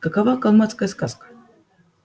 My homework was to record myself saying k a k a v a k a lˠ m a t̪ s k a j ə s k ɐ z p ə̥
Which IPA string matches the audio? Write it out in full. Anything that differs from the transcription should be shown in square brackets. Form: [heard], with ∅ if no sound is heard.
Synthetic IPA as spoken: k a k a v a k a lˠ m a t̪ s k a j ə s k [a] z [k] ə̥